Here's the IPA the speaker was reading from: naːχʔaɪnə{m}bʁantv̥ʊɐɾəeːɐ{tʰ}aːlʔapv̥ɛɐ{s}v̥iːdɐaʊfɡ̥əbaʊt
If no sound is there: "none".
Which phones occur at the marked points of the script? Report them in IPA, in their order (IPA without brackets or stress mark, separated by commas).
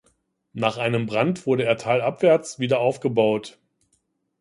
m, tʰ, t͡s